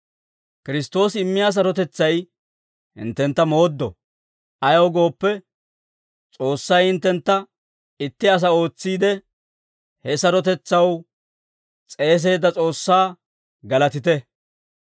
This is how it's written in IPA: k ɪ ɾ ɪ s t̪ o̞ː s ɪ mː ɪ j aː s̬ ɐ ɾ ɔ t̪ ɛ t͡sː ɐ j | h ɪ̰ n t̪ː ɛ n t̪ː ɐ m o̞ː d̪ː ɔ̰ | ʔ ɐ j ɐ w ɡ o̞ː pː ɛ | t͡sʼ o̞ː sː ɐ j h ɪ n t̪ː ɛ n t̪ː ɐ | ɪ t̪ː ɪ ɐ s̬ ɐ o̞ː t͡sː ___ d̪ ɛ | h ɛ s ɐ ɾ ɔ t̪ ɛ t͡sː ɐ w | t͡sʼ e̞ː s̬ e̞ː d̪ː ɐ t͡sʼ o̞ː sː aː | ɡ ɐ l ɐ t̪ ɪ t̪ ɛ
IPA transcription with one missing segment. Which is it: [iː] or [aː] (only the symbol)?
iː